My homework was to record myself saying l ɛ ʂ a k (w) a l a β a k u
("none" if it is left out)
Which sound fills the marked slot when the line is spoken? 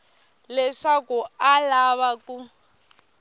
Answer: u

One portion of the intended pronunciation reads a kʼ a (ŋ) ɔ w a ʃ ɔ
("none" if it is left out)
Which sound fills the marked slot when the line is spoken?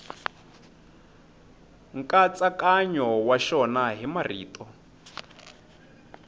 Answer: ɲ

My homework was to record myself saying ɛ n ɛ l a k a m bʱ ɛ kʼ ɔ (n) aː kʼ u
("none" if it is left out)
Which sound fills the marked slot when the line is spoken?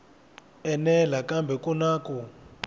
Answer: n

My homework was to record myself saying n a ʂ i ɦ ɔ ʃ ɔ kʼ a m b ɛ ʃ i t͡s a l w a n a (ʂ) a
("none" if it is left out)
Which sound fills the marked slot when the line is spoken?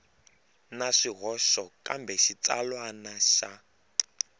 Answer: ʃ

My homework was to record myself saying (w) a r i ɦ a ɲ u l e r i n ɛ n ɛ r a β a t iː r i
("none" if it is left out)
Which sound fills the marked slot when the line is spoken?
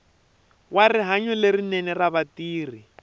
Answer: w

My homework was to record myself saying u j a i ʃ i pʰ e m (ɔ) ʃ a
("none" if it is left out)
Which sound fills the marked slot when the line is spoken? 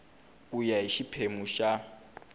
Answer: u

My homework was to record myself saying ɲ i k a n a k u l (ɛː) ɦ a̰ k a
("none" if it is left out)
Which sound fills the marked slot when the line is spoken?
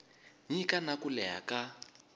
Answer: ɛ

